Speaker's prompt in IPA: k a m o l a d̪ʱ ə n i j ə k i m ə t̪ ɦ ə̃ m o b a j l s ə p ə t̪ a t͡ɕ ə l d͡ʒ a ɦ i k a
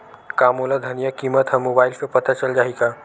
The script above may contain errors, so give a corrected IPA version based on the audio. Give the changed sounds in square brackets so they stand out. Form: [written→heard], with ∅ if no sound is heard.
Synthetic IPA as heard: k a m o l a d̪ʱ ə n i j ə k i m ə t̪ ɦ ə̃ m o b a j l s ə p ə t̪ a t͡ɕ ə l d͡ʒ a ɦ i k a